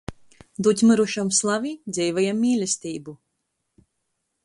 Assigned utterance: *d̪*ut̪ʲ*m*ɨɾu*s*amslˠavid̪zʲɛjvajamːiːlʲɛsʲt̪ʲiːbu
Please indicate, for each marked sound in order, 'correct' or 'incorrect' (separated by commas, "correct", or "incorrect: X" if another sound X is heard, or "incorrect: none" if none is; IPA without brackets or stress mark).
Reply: correct, correct, incorrect: ʃ